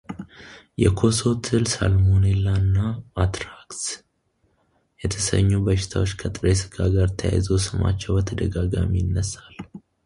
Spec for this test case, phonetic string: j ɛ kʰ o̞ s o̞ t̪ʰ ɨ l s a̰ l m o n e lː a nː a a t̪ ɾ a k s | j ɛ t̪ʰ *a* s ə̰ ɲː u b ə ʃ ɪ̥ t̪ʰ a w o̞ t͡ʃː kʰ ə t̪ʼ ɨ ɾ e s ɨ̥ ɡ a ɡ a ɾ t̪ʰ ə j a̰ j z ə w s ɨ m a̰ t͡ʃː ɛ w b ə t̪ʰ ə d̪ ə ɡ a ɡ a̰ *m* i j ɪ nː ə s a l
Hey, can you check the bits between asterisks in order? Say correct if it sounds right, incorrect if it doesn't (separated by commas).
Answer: incorrect, correct